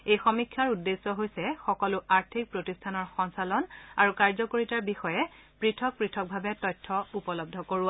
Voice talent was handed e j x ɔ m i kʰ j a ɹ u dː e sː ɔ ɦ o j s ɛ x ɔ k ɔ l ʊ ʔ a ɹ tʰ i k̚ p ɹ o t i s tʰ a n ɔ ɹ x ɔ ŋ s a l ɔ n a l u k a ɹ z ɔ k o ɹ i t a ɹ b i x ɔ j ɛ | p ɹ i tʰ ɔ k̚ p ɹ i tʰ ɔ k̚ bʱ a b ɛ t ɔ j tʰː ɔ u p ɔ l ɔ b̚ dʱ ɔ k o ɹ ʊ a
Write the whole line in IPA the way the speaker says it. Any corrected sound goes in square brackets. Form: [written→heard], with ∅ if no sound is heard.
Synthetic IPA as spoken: e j x ɔ m i kʰ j a ɹ u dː e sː ɔ ɦ o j s ɛ x ɔ k ɔ l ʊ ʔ a ɹ tʰ i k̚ p ɹ o t i s tʰ a n ɔ ɹ x ɔ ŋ s a l ɔ n a [l→ɹ] u k a ɹ z ɔ k o ɹ i t a ɹ b i x ɔ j ɛ | p ɹ i tʰ ɔ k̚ p ɹ i tʰ ɔ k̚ bʱ a b ɛ t ɔ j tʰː ɔ u p ɔ l ɔ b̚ dʱ ɔ k o ɹ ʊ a